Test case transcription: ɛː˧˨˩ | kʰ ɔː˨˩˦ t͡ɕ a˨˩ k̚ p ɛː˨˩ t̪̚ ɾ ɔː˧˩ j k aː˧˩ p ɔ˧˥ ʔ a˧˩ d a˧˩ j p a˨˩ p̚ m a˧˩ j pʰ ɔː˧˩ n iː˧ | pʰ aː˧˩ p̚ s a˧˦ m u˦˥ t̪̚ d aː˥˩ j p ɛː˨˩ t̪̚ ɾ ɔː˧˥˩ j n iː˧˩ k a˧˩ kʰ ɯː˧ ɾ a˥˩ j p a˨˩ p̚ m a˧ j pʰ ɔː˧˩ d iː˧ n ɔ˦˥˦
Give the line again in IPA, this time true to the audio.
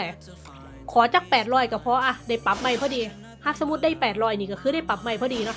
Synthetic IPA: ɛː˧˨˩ | kʰ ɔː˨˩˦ t͡ɕ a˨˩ k̚ p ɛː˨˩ t̪̚ ɾ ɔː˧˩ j k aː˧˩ pʰ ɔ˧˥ ʔ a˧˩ d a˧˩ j p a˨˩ p̚ m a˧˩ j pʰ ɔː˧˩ d iː˧ | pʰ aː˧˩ p̚ s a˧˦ m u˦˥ t̪̚ d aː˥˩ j p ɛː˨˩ t̪̚ ɾ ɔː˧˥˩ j n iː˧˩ k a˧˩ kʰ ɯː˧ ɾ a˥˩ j p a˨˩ p̚ m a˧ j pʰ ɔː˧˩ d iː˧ n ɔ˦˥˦